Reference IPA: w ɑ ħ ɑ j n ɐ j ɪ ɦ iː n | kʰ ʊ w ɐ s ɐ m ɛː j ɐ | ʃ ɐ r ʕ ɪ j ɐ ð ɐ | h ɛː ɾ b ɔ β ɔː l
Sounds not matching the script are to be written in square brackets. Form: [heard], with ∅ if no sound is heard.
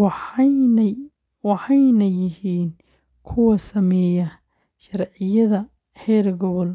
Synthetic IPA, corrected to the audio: w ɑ ħ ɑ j n ɐ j ɪ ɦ iː n | kʰ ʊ w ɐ s ɐ m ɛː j ɐ | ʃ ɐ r ʕ ɪ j ɐ ð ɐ | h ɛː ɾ [ɡ] ɔ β [ɔ] l